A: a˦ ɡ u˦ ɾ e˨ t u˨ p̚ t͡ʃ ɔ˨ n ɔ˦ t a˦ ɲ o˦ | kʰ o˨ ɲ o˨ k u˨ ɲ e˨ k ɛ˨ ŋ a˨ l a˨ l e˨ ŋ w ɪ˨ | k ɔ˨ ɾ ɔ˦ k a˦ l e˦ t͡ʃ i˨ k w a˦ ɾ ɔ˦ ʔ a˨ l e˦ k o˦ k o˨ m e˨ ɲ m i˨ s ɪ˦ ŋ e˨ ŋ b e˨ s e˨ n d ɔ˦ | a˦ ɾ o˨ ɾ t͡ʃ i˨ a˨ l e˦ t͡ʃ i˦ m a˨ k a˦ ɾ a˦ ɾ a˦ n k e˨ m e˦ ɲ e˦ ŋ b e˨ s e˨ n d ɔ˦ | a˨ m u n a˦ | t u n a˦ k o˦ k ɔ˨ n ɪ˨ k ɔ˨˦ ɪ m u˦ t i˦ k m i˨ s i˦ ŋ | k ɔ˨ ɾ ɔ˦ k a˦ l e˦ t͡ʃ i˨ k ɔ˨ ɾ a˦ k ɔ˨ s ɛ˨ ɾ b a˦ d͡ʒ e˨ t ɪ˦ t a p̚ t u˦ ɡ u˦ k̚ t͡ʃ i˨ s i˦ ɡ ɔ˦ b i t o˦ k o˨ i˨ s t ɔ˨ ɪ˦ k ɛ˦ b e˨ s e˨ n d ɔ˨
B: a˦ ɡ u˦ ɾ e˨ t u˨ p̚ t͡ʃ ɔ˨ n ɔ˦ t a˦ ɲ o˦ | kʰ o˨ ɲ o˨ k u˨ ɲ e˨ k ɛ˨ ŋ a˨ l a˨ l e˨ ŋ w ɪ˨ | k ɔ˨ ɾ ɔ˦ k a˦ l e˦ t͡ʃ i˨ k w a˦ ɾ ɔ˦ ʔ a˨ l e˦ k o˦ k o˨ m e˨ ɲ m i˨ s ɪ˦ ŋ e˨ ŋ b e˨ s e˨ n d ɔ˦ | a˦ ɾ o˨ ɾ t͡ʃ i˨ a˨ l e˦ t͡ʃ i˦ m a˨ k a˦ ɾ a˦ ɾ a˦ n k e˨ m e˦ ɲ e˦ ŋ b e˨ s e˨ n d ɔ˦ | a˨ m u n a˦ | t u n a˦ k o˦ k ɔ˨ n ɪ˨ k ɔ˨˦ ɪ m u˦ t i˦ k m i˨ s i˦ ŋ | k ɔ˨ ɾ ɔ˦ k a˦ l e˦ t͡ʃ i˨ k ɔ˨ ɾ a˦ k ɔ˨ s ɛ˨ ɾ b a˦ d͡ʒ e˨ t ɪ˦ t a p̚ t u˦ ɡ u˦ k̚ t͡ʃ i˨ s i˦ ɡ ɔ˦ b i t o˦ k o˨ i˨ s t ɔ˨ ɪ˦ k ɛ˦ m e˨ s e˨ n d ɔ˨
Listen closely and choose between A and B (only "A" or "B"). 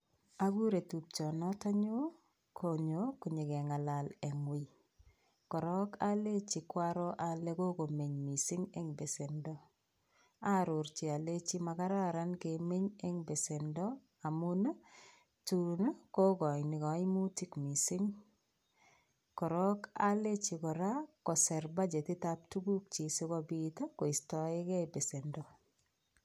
A